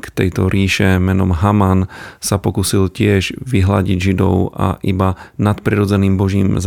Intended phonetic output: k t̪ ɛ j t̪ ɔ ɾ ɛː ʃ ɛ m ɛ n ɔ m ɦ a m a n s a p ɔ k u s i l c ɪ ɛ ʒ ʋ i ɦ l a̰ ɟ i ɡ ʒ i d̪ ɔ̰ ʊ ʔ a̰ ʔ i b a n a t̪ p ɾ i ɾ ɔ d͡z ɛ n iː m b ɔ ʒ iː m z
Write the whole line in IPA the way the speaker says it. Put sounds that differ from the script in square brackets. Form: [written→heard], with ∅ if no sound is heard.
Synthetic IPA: k t̪ ɛ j t̪ ɔ ɾ [ɛː→iː] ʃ ɛ m ɛ n ɔ m ɦ a m a n s a p ɔ k u s i l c ɪ ɛ ʒ ʋ i ɦ l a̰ ɟ i [ɡ→ɟ] ʒ i d̪ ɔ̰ ʊ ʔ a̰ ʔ i b a n a t̪ p ɾ i ɾ ɔ d͡z ɛ n iː m b ɔ ʒ iː m z